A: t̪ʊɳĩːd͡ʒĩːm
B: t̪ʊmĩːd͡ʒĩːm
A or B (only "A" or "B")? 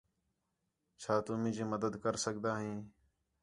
B